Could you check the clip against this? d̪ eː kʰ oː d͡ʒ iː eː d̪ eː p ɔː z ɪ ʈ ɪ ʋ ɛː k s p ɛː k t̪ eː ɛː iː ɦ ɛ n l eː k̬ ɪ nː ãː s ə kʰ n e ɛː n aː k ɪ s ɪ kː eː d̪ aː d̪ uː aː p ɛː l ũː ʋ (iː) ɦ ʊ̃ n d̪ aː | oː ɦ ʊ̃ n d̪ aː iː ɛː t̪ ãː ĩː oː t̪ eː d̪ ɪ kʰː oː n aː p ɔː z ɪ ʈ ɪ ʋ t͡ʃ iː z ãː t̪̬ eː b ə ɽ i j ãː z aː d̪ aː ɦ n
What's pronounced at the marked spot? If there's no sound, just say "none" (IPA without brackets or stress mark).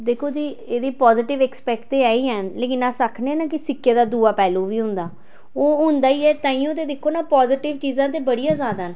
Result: iː